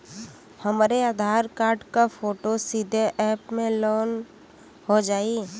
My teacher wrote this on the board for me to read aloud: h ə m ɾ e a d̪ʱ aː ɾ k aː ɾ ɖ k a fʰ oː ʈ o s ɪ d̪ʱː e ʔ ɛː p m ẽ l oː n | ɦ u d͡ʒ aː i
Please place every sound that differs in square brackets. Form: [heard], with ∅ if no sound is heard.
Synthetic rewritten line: h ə m ɾ e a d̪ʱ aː ɾ k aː ɾ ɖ k a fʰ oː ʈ o s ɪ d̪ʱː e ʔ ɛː p m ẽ l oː n | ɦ [o] d͡ʒ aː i